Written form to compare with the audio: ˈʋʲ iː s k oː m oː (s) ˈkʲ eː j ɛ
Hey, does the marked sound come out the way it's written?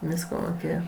no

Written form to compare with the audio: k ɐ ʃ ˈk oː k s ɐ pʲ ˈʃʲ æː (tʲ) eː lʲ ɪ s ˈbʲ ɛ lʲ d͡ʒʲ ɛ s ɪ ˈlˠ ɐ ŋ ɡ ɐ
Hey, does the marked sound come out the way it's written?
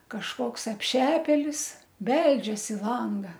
no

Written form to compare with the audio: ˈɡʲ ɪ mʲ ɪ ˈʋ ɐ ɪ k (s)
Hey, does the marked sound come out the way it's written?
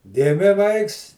yes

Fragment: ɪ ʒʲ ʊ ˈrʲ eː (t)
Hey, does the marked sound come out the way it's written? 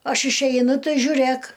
no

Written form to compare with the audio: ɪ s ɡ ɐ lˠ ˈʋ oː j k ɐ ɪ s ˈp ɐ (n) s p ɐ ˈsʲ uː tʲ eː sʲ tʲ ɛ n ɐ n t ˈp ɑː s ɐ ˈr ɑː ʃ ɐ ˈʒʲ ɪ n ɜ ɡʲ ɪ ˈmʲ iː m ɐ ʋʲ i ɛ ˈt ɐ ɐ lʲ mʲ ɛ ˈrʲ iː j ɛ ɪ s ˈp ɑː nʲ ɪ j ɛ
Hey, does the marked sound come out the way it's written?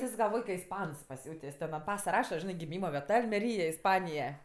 yes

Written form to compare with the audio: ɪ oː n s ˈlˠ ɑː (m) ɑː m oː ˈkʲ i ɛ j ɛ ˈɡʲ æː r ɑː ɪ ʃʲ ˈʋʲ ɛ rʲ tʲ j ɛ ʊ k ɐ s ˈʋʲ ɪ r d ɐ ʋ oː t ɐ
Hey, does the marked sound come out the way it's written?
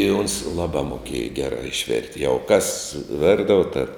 no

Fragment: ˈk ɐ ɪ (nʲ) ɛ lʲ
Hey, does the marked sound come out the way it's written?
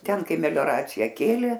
no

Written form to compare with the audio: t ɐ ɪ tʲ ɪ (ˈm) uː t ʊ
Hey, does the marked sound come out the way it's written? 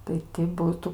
no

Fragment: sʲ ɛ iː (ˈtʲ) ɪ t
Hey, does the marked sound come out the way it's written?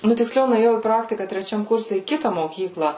no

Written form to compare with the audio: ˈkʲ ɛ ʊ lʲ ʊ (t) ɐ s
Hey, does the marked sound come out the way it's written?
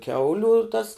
yes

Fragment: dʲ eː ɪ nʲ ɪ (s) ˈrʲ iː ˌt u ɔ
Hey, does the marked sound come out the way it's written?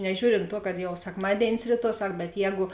yes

